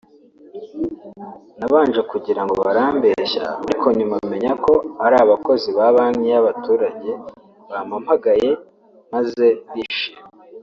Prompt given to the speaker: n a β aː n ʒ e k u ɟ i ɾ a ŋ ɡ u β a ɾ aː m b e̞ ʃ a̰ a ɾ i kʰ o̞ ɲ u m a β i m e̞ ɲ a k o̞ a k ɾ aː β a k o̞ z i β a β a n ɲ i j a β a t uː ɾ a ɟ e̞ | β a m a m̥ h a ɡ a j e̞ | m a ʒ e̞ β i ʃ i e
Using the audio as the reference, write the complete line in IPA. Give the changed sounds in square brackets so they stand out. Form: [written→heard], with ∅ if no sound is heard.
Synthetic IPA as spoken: n a β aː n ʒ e k u ɟ i ɾ a ŋ ɡ [u→o] β a ɾ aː m b e̞ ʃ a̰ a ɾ i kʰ o̞ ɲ u m a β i m e̞ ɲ a k o̞ a [k→∅] ɾ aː β a k o̞ z i β a β a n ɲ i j a β a t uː ɾ a ɟ e̞ | β a m a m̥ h a ɡ a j e̞ | m a [ʒ→z] e̞ β i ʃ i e